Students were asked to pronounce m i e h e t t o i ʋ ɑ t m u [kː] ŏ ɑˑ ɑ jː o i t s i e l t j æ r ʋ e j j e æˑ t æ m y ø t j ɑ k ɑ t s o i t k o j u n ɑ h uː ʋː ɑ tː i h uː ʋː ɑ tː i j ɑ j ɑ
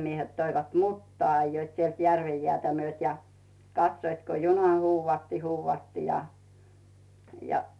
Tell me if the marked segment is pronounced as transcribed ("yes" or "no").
no